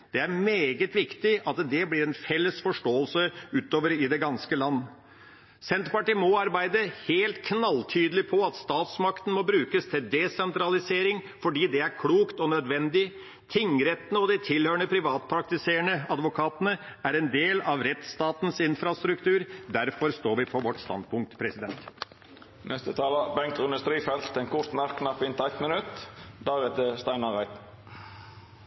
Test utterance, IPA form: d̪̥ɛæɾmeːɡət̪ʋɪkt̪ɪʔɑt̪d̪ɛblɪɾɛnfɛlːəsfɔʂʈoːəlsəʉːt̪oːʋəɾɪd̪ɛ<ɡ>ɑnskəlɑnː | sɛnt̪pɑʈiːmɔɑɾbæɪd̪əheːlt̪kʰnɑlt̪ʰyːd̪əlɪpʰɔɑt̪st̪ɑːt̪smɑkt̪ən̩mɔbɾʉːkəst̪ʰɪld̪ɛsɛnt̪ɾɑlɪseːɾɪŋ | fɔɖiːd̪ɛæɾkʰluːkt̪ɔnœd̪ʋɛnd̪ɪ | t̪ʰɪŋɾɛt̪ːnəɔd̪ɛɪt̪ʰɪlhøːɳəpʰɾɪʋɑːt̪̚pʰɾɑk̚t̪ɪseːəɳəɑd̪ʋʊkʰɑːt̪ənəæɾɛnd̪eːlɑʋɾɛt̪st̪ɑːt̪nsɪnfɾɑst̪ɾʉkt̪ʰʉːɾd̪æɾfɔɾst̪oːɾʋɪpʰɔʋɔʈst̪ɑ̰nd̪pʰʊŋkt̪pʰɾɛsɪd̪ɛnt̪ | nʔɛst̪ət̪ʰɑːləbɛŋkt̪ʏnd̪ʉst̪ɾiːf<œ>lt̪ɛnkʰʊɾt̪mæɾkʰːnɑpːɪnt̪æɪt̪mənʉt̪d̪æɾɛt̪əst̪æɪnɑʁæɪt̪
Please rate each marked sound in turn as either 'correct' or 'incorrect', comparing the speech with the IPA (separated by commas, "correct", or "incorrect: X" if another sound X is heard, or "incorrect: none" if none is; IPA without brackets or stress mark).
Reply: correct, incorrect: ɛ